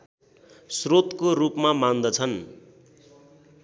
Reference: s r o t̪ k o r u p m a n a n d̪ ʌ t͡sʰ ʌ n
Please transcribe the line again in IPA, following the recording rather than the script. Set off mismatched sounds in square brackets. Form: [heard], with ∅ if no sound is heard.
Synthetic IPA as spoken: s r o t̪ k o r u p m a [m] a n d̪ ʌ t͡sʰ ʌ n